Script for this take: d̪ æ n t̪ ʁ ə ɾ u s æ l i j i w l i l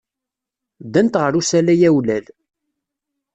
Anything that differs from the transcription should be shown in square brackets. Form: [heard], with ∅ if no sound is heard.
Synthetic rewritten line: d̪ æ n t̪ ʁ ə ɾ u s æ l [æ] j [æ] w l [æ] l